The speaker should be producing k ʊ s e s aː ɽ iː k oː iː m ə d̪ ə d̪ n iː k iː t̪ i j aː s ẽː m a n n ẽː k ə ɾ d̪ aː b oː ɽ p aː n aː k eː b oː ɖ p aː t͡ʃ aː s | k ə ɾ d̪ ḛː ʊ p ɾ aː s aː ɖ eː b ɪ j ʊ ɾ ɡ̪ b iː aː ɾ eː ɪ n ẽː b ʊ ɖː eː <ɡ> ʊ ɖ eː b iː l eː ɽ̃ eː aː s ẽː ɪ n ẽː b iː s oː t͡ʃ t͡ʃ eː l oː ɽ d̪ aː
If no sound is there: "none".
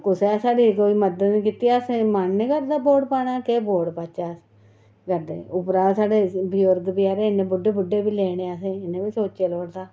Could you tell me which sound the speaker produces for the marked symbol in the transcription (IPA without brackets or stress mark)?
b